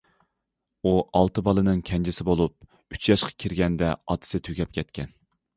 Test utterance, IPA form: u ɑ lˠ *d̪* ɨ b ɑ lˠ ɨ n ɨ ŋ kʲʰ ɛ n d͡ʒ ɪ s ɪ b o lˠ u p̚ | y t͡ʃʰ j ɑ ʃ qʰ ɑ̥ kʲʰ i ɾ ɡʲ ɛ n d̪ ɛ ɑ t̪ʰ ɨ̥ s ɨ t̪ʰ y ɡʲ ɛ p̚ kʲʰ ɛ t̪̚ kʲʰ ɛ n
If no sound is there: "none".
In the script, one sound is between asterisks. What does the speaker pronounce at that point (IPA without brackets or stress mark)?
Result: t̪